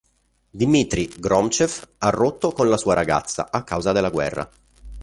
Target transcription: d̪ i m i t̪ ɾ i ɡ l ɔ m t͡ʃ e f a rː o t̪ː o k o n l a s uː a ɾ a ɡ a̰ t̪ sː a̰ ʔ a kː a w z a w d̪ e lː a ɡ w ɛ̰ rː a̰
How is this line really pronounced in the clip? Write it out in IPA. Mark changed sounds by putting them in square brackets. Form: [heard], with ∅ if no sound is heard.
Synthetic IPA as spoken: d̪ i m i t̪ ɾ i ɡ [ɾ] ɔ m t͡ʃ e f a rː o t̪ː o k o n l a s uː a ɾ a ɡ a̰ t̪ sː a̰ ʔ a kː a w z a [∅] d̪ e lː a ɡ w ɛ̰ rː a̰